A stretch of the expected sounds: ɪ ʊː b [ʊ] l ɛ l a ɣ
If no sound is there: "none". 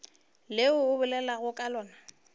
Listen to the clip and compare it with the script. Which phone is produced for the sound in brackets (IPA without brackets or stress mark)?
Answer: ʊ